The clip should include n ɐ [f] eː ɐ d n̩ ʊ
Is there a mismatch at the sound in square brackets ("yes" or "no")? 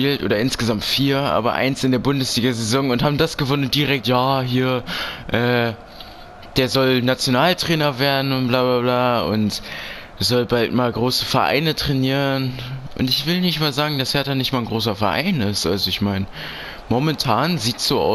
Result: yes